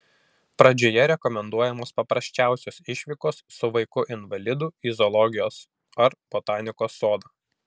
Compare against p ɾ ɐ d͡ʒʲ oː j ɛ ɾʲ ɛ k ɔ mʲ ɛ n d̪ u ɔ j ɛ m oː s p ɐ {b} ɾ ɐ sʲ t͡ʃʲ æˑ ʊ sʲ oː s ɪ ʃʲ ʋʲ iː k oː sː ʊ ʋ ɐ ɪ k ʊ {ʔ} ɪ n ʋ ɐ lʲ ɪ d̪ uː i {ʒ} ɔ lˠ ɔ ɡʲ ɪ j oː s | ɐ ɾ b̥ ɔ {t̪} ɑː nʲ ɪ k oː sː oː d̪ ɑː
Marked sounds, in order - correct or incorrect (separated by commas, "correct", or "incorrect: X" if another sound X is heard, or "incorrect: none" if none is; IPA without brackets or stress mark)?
incorrect: p, correct, incorrect: z, correct